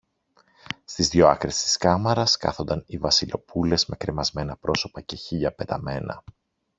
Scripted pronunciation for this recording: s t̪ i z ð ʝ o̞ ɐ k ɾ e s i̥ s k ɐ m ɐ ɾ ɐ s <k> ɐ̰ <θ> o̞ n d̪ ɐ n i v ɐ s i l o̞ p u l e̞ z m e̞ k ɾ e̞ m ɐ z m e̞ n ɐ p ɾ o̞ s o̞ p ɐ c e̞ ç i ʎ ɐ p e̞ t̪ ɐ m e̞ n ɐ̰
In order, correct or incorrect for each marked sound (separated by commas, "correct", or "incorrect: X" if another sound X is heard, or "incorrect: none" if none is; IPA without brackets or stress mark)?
correct, correct